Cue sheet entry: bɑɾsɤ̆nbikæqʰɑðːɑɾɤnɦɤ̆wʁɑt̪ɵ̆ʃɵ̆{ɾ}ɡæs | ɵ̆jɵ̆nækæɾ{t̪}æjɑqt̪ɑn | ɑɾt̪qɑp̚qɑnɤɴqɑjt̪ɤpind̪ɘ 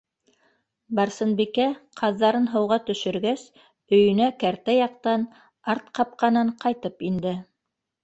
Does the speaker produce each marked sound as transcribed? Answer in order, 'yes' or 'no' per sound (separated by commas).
yes, yes